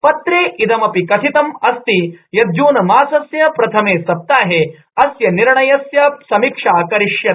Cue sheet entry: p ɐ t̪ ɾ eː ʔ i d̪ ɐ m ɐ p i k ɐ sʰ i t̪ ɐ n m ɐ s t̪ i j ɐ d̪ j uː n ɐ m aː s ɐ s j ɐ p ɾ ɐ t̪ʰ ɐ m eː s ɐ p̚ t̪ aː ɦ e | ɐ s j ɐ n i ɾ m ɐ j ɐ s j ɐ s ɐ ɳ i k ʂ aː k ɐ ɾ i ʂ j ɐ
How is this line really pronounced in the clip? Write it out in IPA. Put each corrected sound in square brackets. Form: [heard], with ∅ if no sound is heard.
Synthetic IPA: p ɐ t̪ ɾ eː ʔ i d̪ ɐ m ɐ p i k ɐ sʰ i t̪ ɐ [∅] m ɐ s t̪ i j ɐ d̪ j uː n ɐ m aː s ɐ s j ɐ p ɾ ɐ t̪ʰ ɐ m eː s ɐ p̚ t̪ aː ɦ e | ɐ s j ɐ n i ɾ [ɳ] ɐ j ɐ s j ɐ s ɐ [m] i k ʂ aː k ɐ ɾ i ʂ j ɐ